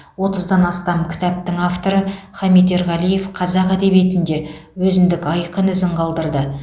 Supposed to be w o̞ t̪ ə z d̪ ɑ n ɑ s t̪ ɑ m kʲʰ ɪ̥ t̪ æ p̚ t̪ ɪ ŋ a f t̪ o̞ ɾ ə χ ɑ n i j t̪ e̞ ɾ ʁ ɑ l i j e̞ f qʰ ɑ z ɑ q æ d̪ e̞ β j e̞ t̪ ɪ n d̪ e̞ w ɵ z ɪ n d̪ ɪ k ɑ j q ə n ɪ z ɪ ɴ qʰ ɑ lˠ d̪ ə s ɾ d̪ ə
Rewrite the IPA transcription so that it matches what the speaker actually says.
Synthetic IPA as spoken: w o̞ t̪ ə z d̪ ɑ n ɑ s t̪ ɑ m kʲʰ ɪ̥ t̪ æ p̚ t̪ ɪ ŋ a f t̪ o̞ ɾ ə χ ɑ m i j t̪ e̞ ɾ ʁ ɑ l i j e̞ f qʰ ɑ z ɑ q æ d̪ e̞ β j e̞ t̪ ɪ n d̪ e̞ w ɵ z ɪ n d̪ ɪ k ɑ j q ə n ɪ z ɪ ɴ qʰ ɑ lˠ d̪ ə ɾ d̪ ə